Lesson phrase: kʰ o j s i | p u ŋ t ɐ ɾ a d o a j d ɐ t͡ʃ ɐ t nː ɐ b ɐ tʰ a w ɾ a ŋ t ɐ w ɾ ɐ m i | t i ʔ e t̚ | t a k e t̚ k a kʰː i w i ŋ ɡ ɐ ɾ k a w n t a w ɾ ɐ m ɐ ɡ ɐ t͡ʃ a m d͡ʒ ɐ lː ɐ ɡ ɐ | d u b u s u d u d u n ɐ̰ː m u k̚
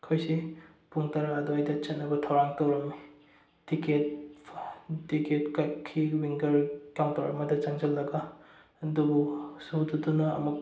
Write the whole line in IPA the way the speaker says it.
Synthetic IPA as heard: kʰ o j s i | p u ŋ t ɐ ɾ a d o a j d ɐ t͡ʃ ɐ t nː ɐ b ɐ tʰ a w ɾ a ŋ t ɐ w ɾ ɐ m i | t i k e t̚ | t i k e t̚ k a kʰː i w i ŋ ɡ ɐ ɾ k a w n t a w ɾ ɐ m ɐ d ɐ t͡ʃ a ŋ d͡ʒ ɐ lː ɐ ɡ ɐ | d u b u s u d u d u n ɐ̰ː m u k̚